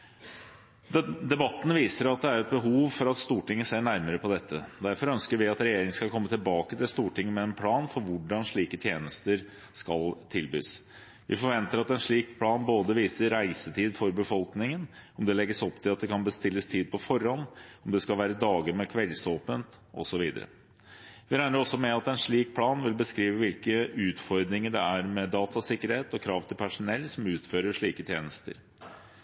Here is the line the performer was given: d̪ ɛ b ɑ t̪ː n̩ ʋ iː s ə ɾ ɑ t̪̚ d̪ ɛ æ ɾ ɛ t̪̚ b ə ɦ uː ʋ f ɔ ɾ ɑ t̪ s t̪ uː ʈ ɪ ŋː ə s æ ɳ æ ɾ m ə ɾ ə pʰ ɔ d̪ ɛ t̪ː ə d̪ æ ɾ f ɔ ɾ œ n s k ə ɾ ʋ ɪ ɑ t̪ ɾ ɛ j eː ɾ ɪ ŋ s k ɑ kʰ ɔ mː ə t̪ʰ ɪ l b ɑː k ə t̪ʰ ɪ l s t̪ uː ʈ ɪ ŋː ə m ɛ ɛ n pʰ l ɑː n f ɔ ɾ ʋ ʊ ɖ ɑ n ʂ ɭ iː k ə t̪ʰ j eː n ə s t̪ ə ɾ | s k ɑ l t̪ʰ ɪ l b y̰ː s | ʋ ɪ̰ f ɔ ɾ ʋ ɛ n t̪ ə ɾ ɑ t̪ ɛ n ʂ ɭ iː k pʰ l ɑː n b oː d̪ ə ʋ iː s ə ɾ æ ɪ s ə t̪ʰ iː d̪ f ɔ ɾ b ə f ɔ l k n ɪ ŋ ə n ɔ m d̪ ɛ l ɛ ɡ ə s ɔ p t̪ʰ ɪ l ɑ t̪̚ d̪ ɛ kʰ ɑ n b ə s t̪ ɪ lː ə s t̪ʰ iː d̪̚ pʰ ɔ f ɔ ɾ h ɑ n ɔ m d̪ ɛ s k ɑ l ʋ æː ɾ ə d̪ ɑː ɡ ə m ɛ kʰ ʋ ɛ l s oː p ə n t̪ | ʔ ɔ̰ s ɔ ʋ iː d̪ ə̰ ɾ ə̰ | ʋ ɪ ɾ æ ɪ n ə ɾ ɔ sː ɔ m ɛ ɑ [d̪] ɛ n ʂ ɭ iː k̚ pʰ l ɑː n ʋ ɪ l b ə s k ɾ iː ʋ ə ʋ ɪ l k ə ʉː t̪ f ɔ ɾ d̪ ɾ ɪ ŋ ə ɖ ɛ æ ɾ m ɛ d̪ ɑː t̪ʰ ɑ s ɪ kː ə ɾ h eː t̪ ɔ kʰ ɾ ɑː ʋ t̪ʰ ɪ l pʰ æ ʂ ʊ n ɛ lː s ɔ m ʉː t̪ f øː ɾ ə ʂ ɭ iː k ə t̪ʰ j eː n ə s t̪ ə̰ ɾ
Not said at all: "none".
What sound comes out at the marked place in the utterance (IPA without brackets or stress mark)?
t̪